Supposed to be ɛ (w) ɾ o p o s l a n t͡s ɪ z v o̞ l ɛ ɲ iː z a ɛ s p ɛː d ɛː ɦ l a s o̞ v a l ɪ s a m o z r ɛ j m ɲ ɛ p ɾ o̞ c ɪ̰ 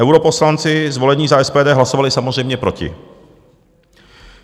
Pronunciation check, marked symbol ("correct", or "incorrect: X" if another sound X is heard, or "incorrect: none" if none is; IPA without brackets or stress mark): correct